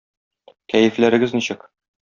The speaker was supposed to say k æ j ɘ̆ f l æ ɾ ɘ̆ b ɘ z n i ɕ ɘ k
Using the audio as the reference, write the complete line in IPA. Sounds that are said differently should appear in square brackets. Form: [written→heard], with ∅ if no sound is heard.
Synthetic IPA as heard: k æ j ɘ̆ f l æ ɾ ɘ̆ [b→ɡ] ɘ z n i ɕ ɘ k